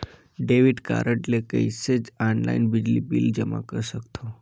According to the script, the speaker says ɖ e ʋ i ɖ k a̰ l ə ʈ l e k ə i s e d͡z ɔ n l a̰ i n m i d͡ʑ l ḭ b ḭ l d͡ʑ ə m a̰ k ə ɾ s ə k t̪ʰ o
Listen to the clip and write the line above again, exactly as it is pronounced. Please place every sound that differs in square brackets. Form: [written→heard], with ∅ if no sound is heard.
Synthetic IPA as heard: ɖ e ʋ i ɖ k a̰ [l→ɾ] ə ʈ l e k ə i s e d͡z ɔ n l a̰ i n [m→b] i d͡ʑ l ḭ b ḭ l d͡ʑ ə m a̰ k ə ɾ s ə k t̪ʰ o